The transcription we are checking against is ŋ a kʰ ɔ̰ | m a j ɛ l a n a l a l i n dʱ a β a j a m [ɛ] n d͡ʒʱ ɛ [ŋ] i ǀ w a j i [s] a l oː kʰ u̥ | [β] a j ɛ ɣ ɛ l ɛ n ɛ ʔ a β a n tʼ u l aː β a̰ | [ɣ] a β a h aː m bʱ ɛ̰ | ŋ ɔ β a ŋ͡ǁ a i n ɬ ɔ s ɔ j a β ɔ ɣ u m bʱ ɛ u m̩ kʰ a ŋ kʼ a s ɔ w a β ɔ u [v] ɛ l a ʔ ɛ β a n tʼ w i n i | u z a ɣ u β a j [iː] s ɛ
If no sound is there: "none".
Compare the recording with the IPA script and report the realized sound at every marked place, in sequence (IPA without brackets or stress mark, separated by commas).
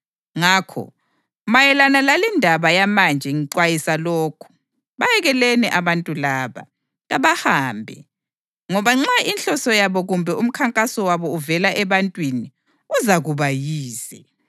a, ŋ, s, β, ɣ, v, iː